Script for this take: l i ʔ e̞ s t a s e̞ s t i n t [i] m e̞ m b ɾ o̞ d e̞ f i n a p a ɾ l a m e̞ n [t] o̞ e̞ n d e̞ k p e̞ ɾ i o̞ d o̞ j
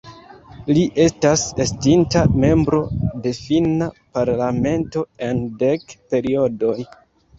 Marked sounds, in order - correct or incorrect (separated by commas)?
incorrect, correct